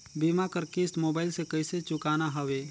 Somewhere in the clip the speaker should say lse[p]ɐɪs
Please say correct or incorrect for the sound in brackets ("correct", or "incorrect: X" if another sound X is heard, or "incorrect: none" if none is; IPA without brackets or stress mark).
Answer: incorrect: k